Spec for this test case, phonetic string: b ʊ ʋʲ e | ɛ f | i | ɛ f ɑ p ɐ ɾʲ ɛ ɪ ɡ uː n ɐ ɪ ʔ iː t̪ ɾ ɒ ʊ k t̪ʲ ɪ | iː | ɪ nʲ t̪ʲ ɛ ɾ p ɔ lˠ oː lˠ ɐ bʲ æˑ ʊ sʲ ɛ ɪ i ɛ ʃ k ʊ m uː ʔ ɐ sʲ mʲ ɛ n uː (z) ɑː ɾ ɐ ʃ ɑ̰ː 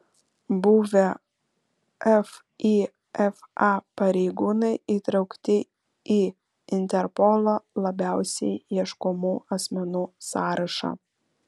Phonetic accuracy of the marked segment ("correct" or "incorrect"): incorrect